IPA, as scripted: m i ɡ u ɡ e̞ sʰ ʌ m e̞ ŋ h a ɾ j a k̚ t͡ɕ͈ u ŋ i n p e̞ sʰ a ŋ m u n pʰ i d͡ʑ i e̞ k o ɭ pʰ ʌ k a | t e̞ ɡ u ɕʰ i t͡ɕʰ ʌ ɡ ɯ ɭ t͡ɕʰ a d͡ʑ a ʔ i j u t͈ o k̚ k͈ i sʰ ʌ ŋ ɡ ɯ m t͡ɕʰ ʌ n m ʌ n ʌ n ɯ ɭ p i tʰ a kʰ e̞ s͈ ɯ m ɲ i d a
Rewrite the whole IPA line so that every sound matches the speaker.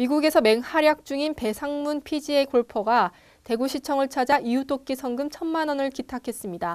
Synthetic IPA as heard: m i ɡ u ɡ e̞ sʰ ʌ m e̞ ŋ h a ɾ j a k̚ t͡ɕ͈ u ŋ i n p e̞ sʰ a ŋ m u n pʰ i d͡ʑ i e̞ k o ɭ pʰ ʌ ɡ a | t e̞ ɡ u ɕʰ i t͡ɕʰ ʌ ŋ ɯ ɭ t͡ɕʰ a d͡ʑ a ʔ i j u t͈ o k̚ k͈ i sʰ ʌ ŋ ɡ ɯ m t͡ɕʰ ʌ n m a n ʌ n ɯ ɭ k i tʰ a kʰ e̞ s͈ ɯ m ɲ i d a